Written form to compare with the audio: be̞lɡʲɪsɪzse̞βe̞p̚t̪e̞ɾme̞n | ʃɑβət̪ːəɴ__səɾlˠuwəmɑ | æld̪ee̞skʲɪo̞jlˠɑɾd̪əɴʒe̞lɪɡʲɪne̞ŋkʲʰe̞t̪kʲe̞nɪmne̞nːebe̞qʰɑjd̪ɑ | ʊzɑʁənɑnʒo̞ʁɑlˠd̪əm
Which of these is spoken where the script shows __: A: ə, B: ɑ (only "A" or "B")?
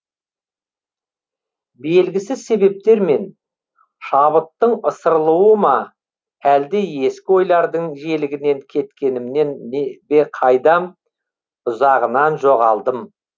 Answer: A